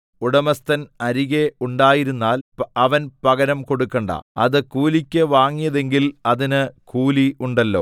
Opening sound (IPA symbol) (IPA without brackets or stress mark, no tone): u